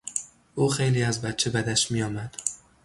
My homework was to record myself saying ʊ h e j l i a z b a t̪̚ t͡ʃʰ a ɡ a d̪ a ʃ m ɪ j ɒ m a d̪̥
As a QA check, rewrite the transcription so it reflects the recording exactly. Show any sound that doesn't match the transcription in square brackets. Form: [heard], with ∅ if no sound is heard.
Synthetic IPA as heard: ʊ [χ] e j l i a z b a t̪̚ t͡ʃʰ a [b] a d̪ a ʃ m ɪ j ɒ m a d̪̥